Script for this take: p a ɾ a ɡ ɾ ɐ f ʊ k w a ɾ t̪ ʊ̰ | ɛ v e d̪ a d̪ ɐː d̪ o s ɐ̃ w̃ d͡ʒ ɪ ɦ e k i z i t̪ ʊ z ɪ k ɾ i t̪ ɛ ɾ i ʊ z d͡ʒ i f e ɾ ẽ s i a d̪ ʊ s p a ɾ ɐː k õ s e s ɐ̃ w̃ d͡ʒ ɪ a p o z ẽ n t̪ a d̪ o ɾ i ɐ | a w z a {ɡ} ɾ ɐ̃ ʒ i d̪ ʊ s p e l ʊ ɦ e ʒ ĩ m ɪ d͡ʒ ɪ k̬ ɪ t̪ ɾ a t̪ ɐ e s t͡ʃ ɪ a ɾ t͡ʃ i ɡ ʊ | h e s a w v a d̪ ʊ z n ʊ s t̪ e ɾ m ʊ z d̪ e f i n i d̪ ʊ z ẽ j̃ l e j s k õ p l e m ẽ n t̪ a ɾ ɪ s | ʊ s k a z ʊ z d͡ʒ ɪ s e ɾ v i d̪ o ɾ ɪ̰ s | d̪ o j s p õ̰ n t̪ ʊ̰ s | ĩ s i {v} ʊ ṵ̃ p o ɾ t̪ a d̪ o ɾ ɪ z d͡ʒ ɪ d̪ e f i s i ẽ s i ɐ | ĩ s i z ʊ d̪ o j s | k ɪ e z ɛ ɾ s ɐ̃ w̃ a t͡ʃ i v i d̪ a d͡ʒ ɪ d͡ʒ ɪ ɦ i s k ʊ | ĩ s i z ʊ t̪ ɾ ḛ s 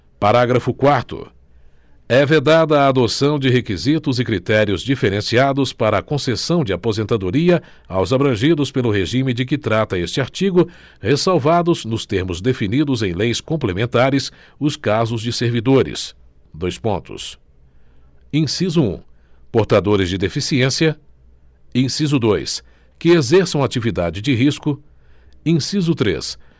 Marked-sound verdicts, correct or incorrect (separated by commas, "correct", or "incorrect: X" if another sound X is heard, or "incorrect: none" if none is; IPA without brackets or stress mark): incorrect: b, incorrect: z